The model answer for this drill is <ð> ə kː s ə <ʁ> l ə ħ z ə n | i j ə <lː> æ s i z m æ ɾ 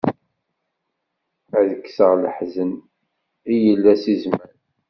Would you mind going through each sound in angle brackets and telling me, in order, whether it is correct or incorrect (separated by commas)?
correct, correct, correct